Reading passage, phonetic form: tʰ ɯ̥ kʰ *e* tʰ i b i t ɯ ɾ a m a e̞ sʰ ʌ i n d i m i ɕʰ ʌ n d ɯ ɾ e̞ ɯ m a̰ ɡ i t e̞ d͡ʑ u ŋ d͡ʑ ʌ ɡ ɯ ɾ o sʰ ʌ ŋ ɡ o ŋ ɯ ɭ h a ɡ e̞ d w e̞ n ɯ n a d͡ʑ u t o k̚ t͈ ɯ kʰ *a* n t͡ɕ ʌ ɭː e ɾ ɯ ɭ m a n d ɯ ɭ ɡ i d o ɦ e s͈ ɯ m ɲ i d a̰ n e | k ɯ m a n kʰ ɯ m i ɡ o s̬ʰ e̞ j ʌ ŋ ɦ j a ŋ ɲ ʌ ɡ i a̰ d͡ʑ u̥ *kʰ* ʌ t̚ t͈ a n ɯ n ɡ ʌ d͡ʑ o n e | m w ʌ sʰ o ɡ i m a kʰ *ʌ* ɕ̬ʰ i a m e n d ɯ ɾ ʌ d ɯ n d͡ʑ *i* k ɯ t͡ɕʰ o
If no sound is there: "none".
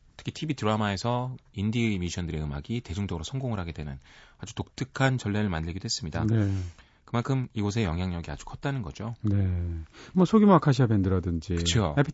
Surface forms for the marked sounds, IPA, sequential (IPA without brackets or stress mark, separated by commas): i, a, kʰ, a, i